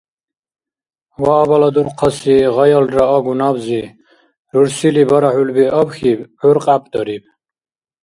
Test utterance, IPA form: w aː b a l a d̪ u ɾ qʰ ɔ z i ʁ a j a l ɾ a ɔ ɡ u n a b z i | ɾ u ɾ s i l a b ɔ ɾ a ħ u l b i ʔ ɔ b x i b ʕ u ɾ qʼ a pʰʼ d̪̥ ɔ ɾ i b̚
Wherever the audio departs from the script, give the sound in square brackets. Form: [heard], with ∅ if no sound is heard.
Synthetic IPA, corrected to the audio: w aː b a l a d̪ u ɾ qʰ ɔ [s] i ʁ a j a l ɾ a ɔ ɡ u n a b z i | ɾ u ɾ s i l [i] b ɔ ɾ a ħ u l b i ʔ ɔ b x i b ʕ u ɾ qʼ a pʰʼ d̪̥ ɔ ɾ i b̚